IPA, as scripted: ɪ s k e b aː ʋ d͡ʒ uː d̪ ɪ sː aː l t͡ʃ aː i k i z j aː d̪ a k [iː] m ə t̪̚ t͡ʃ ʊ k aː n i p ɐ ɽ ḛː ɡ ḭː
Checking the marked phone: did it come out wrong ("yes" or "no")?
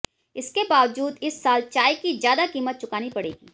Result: no